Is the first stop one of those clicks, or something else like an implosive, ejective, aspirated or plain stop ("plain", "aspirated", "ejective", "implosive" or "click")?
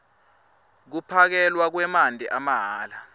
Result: plain